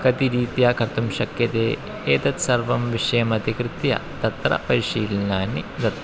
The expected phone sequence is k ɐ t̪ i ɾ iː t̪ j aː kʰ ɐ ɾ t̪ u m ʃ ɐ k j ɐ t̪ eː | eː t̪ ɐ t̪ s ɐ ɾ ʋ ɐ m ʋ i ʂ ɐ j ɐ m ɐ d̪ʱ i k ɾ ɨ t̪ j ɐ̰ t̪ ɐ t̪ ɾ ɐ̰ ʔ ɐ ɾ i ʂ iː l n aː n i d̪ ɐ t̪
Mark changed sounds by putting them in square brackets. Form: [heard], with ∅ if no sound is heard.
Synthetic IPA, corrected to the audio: k ɐ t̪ i ɾ iː t̪ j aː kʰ ɐ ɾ t̪ u m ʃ ɐ k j ɐ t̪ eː | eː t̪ ɐ t̪ s ɐ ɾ ʋ ɐ m ʋ i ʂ ɐ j ɐ m ɐ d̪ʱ i k ɾ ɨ t̪ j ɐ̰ t̪ ɐ t̪ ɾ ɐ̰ [p] ɐ ɾ i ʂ iː l n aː n i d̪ ɐ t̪